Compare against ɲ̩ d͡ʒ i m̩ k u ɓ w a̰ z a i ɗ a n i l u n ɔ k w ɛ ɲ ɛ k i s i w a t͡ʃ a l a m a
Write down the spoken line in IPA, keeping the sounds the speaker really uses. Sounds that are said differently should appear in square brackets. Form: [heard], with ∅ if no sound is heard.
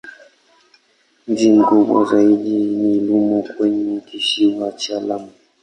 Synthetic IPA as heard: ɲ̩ d͡ʒ i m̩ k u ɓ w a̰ z a i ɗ [i] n i l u [m] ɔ k w ɛ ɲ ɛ k i [ʃ] i w a t͡ʃ a l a m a